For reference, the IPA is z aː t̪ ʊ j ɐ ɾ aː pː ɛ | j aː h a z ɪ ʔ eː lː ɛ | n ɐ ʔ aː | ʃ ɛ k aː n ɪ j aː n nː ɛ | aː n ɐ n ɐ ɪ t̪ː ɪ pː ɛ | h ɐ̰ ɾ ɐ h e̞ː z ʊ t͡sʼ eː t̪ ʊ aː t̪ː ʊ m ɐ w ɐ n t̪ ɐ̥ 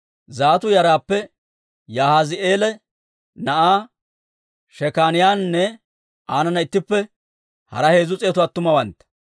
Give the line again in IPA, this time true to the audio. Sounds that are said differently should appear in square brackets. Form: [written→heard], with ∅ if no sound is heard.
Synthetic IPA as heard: z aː t̪ ʊ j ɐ ɾ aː pː ɛ | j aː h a z ɪ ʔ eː [lː→l] ɛ | n ɐ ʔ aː | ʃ ɛ k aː n ɪ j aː n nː ɛ | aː n ɐ n ɐ ɪ t̪ː ɪ pː ɛ | h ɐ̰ ɾ ɐ h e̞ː z ʊ t͡sʼ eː t̪ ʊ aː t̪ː ʊ m ɐ w ɐ n t̪ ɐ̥